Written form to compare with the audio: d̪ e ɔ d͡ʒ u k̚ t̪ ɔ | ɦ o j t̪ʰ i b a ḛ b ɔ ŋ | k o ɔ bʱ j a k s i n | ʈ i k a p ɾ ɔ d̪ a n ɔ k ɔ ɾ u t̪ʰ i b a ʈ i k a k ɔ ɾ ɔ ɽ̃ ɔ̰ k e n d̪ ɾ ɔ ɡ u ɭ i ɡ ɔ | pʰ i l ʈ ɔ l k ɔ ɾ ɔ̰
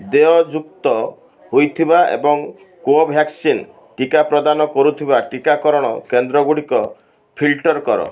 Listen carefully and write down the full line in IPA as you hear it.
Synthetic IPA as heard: d̪ e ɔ d͡ʒ u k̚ t̪ ɔ | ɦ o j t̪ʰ i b a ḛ b ɔ ŋ | k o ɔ bʱ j a k s i n | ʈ i k a p ɾ ɔ d̪ a n ɔ k ɔ ɾ u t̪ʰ i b a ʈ i k a k ɔ ɾ ɔ ɽ̃ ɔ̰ k e n d̪ ɾ ɔ ɡ u ɽ i k ɔ | pʰ i l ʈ ɔ ɾ k ɔ ɾ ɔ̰

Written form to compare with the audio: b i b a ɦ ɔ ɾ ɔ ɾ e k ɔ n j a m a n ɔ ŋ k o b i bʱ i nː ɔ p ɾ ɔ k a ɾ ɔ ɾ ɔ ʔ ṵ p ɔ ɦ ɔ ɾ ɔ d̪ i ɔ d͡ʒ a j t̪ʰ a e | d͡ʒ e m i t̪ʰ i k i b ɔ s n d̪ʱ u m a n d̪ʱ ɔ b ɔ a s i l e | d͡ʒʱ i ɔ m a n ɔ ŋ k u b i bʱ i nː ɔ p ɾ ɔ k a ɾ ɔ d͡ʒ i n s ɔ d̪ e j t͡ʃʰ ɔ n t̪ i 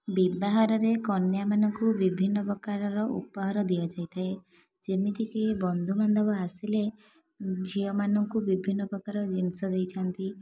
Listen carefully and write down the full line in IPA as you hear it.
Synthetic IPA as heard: b i b a ɦ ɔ ɾ ɔ ɾ e k ɔ n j a m a n ɔ ŋ k u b i bʱ i nː ɔ p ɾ ɔ k a ɾ ɔ ɾ ɔ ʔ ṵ p ɔ ɦ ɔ ɾ ɔ d̪ i ɔ d͡ʒ a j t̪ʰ a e | d͡ʒ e m i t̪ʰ i k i b ɔ n d̪ʱ u m a n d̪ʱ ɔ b ɔ a s i l e | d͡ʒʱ i ɔ m a n ɔ ŋ k u b i bʱ i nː ɔ p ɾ ɔ k a ɾ ɔ d͡ʒ i n s ɔ d̪ e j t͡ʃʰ ɔ n t̪ i

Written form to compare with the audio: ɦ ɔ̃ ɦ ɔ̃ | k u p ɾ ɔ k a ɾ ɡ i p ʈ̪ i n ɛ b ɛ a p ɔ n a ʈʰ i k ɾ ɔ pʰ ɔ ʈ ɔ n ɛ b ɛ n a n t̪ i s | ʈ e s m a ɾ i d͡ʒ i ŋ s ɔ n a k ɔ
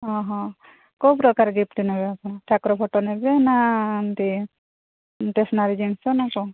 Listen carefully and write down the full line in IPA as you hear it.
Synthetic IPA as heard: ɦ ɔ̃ ɦ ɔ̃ | k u p ɾ ɔ k a ɾ ɡ i p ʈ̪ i n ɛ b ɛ a p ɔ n a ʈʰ a k ɾ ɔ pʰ ɔ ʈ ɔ n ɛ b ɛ n a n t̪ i | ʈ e s n a ɾ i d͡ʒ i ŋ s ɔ n a k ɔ

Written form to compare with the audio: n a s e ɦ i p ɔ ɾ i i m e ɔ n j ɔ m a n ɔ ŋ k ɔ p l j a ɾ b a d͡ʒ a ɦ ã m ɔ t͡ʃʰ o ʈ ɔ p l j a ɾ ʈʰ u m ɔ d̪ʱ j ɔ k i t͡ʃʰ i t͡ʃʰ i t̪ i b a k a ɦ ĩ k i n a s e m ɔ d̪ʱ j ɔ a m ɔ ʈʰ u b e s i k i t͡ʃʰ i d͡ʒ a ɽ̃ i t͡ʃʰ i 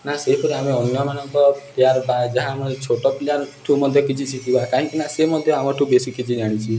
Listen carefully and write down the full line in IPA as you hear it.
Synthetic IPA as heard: n a s e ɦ i p ɔ ɾ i a m e ɔ n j ɔ m a n ɔ ŋ k ɔ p l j a ɾ b a d͡ʒ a ɦ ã m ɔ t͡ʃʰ o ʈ ɔ p l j a ɾ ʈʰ u m ɔ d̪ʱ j ɔ k i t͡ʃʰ i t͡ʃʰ i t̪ i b a k a ɦ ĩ k i n a s e m ɔ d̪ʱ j ɔ a m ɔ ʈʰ u b e s i k i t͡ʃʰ i d͡ʒ a ɽ̃ i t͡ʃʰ i

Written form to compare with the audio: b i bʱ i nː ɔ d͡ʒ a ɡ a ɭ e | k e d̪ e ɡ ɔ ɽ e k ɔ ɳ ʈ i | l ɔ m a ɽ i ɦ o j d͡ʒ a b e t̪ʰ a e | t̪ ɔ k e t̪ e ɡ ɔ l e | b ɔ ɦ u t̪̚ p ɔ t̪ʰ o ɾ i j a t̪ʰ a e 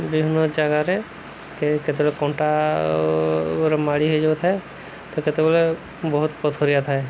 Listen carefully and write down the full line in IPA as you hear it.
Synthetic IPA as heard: b i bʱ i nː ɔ d͡ʒ a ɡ a ɾ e | k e t̪ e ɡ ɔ l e k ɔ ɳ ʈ a | ɾ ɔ m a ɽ i ɦ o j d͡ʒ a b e t̪ʰ a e | t̪ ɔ k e t̪ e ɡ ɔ l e | b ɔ ɦ u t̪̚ p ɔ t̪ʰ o ɾ i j a t̪ʰ a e

